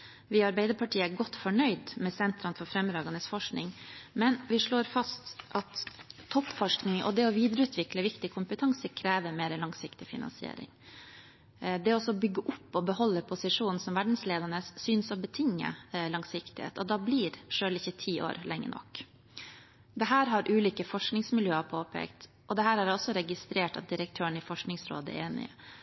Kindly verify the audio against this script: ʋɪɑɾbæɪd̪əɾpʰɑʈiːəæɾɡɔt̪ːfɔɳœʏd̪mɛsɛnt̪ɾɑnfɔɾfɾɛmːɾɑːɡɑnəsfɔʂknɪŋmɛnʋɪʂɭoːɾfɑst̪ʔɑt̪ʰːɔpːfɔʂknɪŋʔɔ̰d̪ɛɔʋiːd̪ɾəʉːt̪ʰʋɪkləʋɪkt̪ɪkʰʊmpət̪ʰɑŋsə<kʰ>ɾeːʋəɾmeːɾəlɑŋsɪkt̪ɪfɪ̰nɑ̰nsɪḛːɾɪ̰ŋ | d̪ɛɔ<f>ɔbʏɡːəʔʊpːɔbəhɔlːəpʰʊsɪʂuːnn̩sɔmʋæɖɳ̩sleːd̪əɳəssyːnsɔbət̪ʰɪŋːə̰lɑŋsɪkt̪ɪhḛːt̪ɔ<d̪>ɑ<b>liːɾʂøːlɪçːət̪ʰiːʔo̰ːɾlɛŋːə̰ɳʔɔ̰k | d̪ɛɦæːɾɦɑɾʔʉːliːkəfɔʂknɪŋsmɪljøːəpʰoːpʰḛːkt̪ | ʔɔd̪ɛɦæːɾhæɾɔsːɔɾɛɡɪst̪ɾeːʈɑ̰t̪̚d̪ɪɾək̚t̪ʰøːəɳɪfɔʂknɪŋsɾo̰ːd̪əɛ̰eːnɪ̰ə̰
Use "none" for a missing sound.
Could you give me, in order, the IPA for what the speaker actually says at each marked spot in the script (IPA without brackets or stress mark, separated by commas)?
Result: kʰ, s, d̪, b